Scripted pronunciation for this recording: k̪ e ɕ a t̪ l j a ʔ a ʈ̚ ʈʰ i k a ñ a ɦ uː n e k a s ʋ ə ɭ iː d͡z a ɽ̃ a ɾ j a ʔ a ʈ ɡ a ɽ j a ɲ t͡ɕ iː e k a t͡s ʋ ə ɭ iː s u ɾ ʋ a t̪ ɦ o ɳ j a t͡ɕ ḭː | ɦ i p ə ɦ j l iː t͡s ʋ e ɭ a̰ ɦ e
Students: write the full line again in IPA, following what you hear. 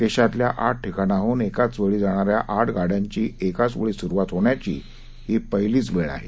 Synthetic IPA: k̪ e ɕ a t̪ l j a ʔ a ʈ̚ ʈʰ i k a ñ a ɦ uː n e k a t͡s ʋ ə ɭ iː d͡z a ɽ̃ a ɾ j a ʔ a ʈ ɡ a ɽ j a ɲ t͡ɕ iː e k a t͡s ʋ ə ɭ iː s u ɾ ʋ a t̪ ɦ o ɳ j a t͡ɕ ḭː | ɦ i p ə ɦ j l iː t͡s ʋ e ɭ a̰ ɦ e